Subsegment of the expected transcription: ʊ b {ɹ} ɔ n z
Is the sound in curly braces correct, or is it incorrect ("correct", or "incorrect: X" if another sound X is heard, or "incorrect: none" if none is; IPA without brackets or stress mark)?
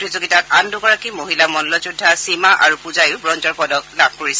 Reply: correct